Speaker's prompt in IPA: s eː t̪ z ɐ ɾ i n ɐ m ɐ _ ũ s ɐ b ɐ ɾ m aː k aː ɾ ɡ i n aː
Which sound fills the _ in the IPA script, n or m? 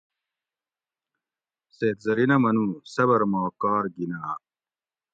n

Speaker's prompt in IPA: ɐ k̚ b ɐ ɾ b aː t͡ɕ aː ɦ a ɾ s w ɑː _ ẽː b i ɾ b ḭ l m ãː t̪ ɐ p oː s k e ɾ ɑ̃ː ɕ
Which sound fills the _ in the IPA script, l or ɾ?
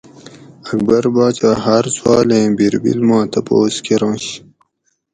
l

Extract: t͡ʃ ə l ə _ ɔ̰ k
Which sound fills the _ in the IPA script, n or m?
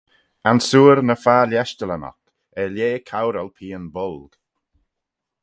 n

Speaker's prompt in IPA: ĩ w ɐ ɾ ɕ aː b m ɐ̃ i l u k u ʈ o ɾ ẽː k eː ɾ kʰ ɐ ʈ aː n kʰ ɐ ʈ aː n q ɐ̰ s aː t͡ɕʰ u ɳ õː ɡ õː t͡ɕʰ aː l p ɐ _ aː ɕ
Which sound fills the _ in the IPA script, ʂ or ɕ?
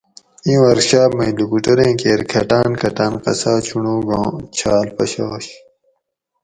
ɕ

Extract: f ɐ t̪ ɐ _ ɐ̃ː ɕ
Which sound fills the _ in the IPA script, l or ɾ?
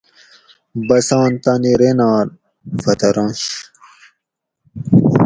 ɾ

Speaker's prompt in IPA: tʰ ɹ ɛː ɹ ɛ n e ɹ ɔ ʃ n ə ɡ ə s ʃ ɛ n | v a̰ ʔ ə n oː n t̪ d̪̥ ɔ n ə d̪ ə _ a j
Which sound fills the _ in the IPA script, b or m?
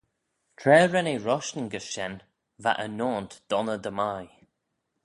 m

